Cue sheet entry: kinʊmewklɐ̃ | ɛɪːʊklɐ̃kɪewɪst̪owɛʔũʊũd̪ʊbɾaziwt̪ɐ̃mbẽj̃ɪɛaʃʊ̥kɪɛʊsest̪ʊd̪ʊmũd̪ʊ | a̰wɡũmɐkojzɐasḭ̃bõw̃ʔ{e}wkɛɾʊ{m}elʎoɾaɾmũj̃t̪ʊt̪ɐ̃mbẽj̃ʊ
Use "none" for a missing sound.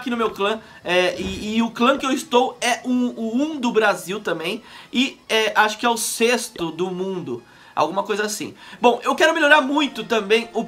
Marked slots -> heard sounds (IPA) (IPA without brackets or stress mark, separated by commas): e, m